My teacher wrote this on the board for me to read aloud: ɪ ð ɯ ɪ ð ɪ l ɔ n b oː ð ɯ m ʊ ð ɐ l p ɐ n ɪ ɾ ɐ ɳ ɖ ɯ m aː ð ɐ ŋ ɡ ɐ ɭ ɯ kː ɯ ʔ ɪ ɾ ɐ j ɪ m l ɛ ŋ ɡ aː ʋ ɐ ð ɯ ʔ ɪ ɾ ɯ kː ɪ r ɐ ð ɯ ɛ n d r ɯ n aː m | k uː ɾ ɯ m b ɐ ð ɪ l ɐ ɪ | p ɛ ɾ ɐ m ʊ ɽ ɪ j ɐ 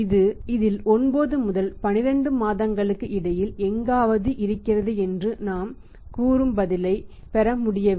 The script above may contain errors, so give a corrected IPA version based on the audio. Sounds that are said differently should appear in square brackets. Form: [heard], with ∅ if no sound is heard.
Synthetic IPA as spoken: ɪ ð ɯ ɪ ð ɪ l ɔ n b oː ð ɯ m ʊ ð ɐ l p ɐ n ɪ ɾ ɐ ɳ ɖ ɯ m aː ð ɐ ŋ ɡ ɐ ɭ ɯ kː ɯ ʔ ɪ [ɽ] ɐ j ɪ [∅] l ɛ ŋ ɡ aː ʋ ɐ ð ɯ ʔ ɪ ɾ ɯ kː ɪ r ɐ ð ɯ ɛ n d r ɯ n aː m | k uː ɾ ɯ m b ɐ ð ɪ l ɐ ɪ | p ɛ ɾ ɐ m ʊ ɽ ɪ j ɐ